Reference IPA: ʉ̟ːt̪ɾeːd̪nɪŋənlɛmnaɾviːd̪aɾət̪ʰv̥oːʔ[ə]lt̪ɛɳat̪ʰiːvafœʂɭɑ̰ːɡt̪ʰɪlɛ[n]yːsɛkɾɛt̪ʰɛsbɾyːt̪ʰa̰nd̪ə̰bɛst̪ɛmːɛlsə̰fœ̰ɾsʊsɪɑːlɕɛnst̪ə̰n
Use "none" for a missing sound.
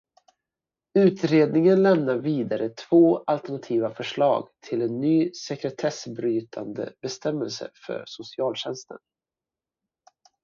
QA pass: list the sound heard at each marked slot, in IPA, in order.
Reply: a, nː

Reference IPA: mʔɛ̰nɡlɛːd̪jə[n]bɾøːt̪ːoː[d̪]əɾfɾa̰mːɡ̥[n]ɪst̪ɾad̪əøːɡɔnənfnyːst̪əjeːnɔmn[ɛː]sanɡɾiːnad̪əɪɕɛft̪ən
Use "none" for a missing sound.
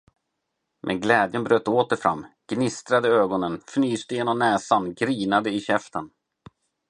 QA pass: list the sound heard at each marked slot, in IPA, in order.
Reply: n, t̪, n, ɛː

